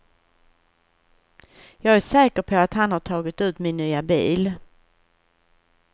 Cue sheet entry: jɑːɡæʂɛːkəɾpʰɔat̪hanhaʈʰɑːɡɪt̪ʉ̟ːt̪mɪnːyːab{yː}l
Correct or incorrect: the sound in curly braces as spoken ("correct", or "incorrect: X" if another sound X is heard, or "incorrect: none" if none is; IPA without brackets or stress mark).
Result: incorrect: iː